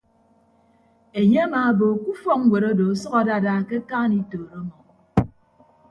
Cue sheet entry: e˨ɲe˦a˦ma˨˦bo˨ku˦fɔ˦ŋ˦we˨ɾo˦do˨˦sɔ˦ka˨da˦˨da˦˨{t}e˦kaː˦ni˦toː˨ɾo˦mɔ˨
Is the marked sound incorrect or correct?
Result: incorrect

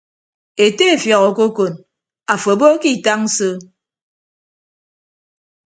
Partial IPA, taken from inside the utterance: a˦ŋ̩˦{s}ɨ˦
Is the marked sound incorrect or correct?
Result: correct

